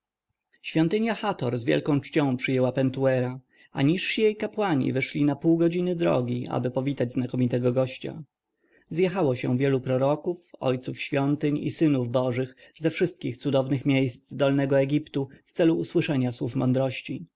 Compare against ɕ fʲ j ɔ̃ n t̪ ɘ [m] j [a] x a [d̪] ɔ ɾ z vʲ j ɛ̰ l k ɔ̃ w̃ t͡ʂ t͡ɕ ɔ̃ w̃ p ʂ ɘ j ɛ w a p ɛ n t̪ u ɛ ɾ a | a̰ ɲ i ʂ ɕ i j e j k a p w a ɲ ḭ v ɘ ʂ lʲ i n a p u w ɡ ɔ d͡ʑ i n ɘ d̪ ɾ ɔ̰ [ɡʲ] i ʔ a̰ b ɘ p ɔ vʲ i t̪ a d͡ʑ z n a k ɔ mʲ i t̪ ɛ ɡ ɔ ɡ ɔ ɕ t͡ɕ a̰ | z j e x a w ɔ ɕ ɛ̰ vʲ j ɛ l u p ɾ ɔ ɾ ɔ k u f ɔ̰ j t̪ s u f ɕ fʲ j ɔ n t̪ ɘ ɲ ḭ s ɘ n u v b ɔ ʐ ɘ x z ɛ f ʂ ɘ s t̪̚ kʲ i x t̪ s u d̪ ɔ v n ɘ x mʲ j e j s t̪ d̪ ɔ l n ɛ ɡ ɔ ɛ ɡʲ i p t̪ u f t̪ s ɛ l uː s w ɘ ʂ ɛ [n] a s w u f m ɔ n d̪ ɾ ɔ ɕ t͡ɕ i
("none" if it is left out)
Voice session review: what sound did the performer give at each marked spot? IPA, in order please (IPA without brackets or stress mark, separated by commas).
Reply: ɲ, a, t̪, ɡʲ, ɲ